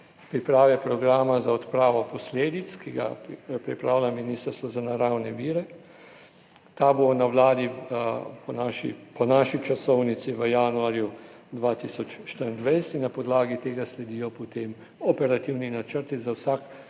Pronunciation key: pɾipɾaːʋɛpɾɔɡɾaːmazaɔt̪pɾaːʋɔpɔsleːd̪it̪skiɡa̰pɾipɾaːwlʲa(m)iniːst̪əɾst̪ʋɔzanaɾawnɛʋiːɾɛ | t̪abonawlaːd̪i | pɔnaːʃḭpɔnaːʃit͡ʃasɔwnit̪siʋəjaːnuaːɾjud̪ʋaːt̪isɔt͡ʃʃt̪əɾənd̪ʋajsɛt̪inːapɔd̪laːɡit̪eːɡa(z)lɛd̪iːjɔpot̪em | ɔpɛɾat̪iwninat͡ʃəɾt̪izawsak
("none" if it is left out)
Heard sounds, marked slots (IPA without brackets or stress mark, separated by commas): m, s